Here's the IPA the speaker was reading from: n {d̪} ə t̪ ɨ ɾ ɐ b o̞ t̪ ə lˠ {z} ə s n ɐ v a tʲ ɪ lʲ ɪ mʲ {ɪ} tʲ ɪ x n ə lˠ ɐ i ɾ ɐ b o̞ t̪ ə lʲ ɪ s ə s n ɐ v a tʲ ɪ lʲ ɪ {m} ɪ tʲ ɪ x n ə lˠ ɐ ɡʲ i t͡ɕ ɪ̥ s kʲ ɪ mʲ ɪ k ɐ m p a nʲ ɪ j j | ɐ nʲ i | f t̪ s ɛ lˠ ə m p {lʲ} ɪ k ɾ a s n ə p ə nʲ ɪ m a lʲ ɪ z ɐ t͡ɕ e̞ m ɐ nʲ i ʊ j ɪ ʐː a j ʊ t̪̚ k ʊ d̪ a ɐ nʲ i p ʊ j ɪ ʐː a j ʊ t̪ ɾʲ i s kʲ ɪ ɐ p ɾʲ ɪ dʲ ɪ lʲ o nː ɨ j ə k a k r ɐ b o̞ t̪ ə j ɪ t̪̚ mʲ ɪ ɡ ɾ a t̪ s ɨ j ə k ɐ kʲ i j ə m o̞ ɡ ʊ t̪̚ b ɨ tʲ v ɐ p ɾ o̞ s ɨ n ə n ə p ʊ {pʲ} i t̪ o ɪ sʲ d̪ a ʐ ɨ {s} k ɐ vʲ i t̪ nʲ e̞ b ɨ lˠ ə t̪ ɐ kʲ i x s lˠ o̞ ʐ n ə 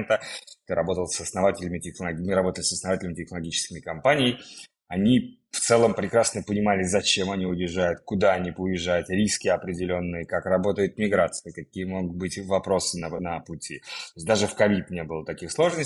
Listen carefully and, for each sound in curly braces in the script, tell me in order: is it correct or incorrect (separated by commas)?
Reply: incorrect, incorrect, correct, correct, incorrect, incorrect, incorrect